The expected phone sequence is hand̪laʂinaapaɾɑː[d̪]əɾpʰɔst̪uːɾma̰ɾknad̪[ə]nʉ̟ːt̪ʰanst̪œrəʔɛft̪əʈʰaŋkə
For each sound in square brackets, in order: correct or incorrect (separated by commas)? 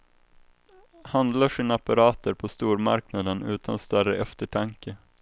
incorrect, correct